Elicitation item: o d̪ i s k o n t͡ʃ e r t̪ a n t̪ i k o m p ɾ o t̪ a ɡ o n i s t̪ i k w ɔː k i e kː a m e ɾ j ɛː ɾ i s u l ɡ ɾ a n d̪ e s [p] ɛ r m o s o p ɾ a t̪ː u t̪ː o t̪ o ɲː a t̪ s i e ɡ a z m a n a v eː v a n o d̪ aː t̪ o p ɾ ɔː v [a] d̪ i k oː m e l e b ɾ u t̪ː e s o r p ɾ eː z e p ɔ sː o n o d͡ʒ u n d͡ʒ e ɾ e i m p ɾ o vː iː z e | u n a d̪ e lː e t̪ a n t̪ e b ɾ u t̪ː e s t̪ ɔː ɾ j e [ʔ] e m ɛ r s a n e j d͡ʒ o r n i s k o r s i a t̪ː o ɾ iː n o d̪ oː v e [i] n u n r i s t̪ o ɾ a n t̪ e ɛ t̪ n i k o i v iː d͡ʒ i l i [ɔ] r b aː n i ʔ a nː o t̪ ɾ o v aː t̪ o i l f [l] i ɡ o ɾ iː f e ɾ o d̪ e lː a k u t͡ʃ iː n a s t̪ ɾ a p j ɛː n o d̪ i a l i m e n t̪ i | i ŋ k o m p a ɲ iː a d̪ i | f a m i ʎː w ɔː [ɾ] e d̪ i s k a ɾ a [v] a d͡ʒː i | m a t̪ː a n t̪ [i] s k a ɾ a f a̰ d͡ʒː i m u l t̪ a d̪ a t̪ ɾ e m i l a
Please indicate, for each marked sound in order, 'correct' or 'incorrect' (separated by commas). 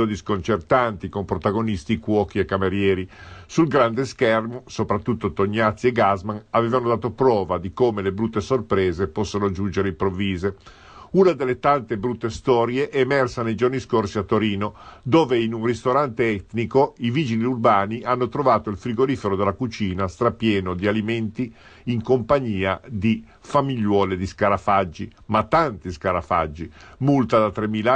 incorrect, correct, correct, correct, incorrect, incorrect, incorrect, incorrect, correct